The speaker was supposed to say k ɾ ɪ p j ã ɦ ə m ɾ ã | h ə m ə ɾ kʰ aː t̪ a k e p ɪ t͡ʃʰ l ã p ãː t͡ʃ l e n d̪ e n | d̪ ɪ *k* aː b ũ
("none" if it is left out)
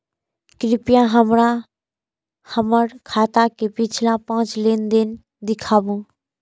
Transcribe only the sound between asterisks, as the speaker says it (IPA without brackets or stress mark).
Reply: kʰ